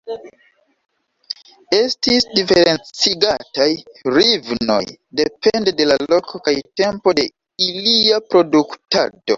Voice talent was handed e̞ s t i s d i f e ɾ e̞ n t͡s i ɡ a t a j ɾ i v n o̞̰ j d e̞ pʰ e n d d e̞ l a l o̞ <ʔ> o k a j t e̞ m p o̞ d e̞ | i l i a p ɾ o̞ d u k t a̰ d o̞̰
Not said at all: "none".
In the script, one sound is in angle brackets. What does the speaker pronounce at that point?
k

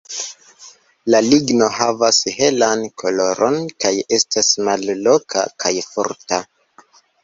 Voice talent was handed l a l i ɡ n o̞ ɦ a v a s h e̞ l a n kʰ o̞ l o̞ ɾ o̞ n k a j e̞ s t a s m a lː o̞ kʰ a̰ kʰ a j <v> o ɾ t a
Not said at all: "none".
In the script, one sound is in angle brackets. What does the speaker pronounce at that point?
f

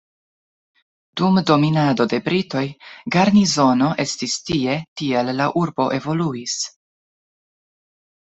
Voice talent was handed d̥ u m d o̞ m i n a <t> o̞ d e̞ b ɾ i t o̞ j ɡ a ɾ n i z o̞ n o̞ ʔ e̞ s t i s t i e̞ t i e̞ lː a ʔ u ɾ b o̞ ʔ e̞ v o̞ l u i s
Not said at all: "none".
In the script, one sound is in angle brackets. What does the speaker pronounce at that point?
d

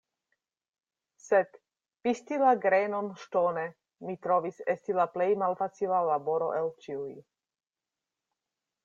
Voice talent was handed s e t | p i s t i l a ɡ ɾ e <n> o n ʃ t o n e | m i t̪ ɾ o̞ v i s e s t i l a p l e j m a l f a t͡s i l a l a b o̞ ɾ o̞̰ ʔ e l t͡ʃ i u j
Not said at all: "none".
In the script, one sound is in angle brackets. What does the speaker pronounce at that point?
n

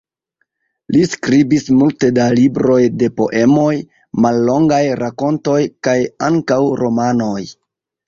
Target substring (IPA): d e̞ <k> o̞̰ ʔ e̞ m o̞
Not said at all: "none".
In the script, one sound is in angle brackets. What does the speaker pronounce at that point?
p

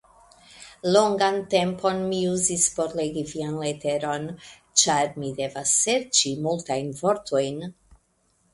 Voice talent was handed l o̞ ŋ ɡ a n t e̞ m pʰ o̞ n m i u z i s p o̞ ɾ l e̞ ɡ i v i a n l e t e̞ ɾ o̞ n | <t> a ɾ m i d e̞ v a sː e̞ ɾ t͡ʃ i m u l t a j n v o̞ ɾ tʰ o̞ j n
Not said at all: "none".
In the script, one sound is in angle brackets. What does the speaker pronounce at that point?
t͡ʃ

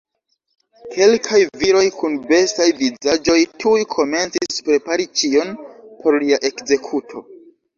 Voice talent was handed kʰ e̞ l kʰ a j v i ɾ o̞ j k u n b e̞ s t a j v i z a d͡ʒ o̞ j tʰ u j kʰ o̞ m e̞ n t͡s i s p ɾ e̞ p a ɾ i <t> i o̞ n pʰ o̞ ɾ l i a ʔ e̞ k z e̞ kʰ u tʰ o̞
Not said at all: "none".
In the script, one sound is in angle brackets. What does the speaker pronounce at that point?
t͡ʃ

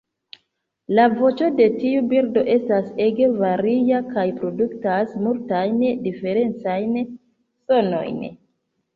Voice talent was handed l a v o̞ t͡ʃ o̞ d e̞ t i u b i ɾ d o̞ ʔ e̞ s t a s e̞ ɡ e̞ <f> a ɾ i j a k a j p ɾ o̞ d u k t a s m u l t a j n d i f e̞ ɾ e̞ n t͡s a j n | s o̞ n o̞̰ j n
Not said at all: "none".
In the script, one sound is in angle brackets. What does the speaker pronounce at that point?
v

